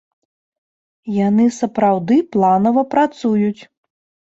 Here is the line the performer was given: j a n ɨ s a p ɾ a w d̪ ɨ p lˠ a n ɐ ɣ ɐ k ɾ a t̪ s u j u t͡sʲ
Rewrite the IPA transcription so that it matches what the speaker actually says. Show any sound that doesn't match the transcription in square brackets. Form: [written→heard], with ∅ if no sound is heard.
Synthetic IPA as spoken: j a n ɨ s [a→ɐ] p ɾ a w d̪ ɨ p lˠ a n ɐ [ɣ→v] ɐ [k→p] ɾ a t̪ s u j u t͡sʲ

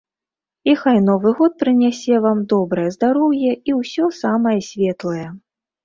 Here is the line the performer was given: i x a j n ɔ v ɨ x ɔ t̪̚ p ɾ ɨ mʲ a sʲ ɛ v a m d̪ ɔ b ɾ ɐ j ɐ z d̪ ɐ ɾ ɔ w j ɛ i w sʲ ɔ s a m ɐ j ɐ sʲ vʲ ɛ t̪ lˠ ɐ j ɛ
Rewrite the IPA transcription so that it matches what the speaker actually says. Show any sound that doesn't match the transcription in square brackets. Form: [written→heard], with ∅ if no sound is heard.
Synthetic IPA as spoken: i x a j n ɔ v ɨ [x→ɣ] ɔ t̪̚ p ɾ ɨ [mʲ→nʲ] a sʲ ɛ v a m d̪ ɔ b ɾ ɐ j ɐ z d̪ [ɐ→a] ɾ ɔ w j ɛ i w sʲ ɔ s a m ɐ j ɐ sʲ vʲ ɛ t̪ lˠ ɐ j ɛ

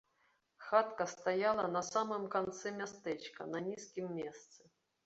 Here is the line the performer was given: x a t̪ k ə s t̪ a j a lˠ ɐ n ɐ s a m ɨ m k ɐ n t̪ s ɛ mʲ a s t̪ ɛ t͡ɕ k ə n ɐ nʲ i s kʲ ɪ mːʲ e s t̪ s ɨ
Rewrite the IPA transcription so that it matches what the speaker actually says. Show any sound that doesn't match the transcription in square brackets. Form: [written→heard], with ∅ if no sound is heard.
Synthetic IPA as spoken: x a t̪ k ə s t̪ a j a lˠ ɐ n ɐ s a m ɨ m k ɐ n t̪ s ɛ mʲ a s t̪ ɛ t͡ɕ k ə n ɐ nʲ i s kʲ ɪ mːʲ e s t̪ s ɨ

